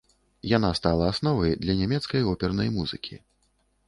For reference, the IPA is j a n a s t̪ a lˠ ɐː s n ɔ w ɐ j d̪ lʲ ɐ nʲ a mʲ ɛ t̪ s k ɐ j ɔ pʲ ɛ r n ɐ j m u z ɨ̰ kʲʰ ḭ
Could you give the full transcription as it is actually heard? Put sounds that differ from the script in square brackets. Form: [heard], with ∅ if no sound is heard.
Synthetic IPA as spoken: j a n a s t̪ a lˠ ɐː s n ɔ [v] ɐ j d̪ lʲ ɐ nʲ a mʲ ɛ t̪ s k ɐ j ɔ pʲ ɛ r n ɐ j m u z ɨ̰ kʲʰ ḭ